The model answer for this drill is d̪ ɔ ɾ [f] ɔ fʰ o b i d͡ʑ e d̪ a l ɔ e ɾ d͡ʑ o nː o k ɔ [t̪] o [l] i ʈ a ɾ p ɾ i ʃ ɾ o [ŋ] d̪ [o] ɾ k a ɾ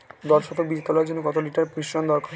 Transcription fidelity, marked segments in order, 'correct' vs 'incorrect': incorrect: ʃ, correct, correct, incorrect: n, incorrect: ɔ

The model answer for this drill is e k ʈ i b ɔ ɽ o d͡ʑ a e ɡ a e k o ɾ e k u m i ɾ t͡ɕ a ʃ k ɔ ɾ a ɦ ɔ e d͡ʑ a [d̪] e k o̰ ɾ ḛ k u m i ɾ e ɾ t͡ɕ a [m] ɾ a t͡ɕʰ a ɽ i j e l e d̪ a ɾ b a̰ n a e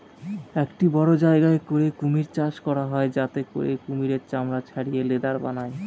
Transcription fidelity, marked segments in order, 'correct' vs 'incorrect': incorrect: t̪, correct

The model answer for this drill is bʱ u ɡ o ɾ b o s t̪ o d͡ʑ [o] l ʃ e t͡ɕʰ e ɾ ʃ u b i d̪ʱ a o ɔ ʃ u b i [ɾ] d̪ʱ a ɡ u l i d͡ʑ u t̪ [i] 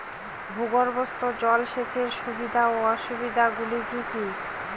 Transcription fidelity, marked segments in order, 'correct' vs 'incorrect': incorrect: ɔ, incorrect: none, correct

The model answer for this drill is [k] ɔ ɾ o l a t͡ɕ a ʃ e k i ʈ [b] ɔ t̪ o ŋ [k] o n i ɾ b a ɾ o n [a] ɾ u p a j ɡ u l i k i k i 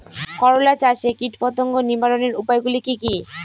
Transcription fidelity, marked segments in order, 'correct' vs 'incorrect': correct, incorrect: p, incorrect: ɡ, incorrect: e

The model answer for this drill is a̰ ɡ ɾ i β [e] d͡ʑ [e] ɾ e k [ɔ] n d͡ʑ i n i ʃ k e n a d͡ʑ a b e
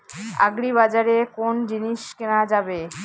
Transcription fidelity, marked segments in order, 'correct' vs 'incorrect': incorrect: a, incorrect: a, incorrect: o

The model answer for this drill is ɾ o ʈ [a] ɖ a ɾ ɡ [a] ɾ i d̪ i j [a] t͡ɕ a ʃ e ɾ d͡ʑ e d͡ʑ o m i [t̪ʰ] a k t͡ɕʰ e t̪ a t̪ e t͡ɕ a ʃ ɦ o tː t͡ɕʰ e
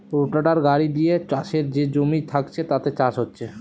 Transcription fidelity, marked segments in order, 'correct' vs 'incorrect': correct, correct, incorrect: e, correct

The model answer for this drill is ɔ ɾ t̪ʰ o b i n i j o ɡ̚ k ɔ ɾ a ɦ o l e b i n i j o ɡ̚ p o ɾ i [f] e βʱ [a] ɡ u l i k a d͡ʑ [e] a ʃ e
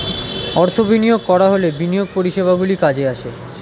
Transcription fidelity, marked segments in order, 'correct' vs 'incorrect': incorrect: ʃ, correct, correct

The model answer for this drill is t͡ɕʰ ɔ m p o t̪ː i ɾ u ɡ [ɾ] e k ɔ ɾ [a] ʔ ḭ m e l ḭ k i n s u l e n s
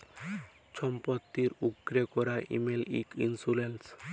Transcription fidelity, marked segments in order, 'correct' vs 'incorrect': correct, correct

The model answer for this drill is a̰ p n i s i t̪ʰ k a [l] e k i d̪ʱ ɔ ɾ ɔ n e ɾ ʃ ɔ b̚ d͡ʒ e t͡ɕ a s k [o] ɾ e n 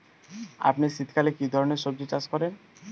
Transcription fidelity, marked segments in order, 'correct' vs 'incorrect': correct, incorrect: ɔ

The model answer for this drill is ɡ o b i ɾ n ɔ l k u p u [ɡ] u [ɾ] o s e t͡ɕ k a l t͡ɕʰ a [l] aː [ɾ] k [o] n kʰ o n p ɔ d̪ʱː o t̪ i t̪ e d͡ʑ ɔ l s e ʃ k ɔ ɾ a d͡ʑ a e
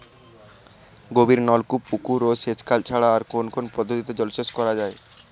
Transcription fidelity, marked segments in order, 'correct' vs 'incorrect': incorrect: k, correct, incorrect: ɽ, correct, correct

